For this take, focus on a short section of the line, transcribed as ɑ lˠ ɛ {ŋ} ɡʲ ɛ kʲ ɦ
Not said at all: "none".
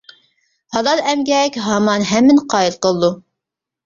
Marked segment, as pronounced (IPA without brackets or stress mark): m